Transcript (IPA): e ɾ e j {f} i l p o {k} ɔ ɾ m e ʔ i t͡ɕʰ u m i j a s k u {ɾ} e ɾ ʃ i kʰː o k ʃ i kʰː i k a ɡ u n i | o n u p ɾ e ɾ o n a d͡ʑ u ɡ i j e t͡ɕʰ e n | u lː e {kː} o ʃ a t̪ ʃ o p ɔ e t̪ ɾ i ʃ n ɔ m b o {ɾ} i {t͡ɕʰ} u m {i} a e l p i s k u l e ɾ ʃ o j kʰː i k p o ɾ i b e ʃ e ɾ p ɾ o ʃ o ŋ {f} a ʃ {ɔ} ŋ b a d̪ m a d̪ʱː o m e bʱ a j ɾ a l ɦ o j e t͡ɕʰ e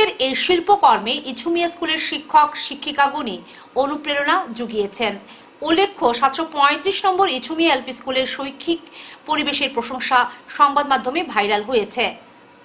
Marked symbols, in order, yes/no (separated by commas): no, yes, no, no, yes, yes, yes, no, yes